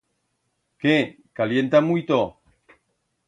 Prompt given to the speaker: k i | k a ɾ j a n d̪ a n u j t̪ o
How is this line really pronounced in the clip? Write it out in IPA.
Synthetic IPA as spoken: k e | k a l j e n t̪ a m u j t̪ o